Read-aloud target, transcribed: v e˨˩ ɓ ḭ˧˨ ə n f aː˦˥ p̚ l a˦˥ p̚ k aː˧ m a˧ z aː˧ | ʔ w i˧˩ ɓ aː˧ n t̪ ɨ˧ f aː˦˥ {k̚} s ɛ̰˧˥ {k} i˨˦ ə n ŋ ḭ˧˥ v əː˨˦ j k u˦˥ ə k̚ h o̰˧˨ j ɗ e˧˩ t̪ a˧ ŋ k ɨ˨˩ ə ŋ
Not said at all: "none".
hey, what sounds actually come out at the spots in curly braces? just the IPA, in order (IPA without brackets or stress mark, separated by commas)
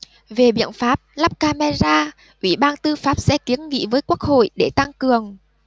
p̚, k